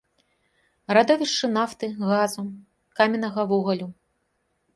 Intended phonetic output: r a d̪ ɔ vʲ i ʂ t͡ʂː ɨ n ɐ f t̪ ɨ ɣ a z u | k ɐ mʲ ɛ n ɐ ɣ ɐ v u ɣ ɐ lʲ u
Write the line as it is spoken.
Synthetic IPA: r a d̪ ɔ vʲ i ʂ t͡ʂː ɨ n a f t̪ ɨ ɣ a z u | k a mʲ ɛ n ɐ ɣ ɐ v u ɣ ɐ lʲ u

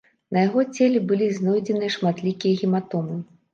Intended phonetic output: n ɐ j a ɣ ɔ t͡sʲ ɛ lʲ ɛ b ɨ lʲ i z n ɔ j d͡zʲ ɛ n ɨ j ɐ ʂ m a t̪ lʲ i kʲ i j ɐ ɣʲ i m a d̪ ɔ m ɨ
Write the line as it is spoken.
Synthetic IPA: n ɐ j a ɣ ɔ t͡sʲ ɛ lʲ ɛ b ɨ lʲ i z n ɔ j d͡zʲ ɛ n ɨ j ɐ ʂ m a t̪ lʲ i kʲ i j ɐ ɣʲ i m a t̪ ɔ m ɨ

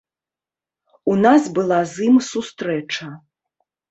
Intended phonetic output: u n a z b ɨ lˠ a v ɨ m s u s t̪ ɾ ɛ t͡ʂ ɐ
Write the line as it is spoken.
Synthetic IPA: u n a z b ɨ lˠ a z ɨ m s u s t̪ ɾ ɛ t͡ʂ ɐ

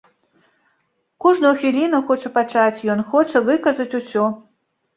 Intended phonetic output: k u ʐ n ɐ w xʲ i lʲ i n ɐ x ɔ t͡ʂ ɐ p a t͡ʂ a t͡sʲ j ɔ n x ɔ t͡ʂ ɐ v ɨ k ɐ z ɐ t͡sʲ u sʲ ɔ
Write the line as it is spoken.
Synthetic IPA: k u ʐ n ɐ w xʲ i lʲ i n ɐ x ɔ t͡ʂ ɐ p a t͡ʂ a t͡sʲ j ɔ n x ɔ t͡ʂ ɐ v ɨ k ɐ z ɐ t͡sʲ u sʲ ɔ

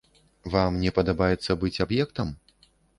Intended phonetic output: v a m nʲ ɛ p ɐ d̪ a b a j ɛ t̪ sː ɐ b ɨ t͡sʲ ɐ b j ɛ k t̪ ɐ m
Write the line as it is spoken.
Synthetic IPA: v a m nʲ ɛ p ɐ d̪ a b a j ɛ t̪ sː ɐ b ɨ t͡sʲ a b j ɛ k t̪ ɐ m

